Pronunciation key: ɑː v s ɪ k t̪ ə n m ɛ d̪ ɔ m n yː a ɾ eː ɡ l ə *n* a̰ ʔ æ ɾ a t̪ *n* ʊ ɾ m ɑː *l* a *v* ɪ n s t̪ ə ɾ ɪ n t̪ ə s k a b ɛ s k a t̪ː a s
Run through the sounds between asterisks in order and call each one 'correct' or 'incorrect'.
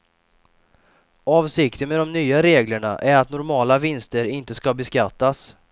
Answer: incorrect, correct, correct, correct

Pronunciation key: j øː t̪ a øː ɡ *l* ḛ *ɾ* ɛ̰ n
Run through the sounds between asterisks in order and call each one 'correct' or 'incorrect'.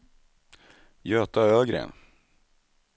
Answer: incorrect, incorrect

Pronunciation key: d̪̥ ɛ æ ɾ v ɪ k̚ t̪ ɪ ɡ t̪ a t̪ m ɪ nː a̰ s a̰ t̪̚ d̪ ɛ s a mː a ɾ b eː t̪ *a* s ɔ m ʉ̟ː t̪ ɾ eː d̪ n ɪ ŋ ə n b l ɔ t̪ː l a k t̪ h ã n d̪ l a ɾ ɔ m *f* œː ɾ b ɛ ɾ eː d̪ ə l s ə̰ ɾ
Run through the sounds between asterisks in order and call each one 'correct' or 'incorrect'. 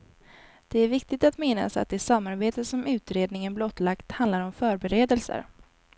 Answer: incorrect, correct

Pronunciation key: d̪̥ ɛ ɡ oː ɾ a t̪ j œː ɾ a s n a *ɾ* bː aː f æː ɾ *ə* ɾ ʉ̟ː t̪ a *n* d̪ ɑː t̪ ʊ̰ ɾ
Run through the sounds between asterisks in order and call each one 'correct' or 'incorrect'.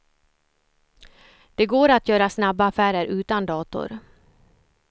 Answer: incorrect, correct, correct

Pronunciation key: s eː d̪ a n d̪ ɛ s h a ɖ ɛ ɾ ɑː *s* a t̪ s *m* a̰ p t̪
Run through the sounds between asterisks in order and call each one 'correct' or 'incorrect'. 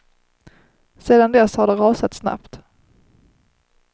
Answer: correct, incorrect

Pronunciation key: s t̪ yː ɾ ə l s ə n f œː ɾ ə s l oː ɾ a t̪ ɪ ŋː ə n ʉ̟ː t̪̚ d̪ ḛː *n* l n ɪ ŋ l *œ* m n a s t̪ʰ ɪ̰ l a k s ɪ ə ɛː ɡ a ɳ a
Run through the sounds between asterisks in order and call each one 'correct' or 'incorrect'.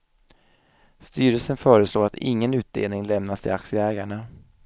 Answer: incorrect, incorrect

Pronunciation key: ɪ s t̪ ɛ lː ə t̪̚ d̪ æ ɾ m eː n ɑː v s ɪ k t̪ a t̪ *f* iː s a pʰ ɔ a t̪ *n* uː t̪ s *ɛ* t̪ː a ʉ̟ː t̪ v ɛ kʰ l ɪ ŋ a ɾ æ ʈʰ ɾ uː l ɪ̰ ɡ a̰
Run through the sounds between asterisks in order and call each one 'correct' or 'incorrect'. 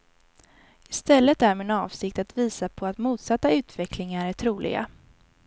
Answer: incorrect, incorrect, incorrect

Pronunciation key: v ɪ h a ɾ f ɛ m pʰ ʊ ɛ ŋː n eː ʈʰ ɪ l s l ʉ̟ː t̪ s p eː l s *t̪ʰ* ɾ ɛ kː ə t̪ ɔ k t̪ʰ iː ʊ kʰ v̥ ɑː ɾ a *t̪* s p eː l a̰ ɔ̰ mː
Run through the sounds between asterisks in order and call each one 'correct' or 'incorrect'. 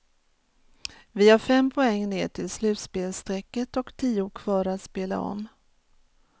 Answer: incorrect, correct

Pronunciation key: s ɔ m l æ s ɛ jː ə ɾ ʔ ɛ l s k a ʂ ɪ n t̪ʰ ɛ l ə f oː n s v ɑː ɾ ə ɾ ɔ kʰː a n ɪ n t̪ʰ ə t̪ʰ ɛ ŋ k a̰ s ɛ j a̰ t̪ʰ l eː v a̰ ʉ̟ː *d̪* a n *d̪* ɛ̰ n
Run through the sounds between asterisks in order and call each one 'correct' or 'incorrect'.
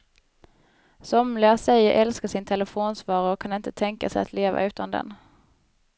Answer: incorrect, correct

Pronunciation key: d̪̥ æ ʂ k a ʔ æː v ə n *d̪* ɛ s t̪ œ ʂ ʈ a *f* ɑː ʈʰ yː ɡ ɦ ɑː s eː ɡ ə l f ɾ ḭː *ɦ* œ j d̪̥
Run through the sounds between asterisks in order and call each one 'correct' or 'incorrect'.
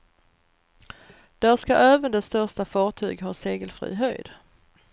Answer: correct, correct, correct

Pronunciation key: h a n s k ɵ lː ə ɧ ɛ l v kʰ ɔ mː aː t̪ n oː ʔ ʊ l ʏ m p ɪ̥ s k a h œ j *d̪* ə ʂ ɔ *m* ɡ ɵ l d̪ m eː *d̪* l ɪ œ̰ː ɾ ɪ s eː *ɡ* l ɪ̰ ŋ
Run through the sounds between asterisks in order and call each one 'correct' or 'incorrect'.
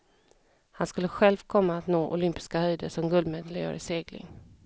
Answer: correct, correct, correct, correct

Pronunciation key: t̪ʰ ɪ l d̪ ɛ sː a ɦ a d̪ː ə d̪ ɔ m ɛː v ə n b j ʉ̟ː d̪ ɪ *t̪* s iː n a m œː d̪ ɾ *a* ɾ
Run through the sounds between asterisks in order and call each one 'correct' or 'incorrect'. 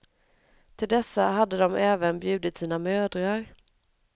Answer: correct, correct

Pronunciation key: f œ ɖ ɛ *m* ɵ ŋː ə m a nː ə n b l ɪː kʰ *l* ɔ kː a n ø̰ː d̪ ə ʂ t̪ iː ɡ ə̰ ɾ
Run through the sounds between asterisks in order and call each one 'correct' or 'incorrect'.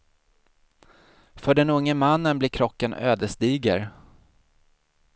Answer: incorrect, incorrect

